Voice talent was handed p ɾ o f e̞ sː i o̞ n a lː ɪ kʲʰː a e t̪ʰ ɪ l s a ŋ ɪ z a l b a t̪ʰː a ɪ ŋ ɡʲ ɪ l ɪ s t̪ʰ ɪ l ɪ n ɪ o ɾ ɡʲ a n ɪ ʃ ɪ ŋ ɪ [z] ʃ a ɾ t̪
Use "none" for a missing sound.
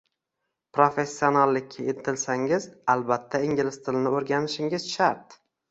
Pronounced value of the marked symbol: z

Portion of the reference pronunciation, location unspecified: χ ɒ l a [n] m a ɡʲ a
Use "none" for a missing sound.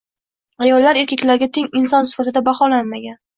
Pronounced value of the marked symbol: n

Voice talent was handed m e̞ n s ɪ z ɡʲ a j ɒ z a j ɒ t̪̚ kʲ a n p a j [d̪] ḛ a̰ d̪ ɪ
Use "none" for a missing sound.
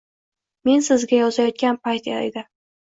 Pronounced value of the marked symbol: t̪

